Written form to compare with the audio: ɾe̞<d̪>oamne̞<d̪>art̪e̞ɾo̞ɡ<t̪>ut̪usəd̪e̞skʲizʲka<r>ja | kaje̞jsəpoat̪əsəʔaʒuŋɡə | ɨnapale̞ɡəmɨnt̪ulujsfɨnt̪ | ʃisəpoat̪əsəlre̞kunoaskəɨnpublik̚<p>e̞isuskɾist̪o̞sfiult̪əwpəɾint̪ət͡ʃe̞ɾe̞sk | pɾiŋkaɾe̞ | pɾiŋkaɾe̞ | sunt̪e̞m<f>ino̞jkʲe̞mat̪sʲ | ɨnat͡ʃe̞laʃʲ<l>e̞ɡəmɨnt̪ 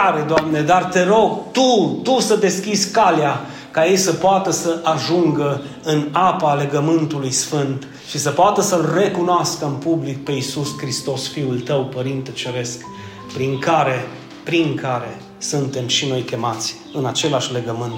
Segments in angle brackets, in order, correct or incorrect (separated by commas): correct, correct, correct, incorrect, correct, incorrect, correct